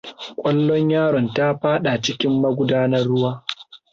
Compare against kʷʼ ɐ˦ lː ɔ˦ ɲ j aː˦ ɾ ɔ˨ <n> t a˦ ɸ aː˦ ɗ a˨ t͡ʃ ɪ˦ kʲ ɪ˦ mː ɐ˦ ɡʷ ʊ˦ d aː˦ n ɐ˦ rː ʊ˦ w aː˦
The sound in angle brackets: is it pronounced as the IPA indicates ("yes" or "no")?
yes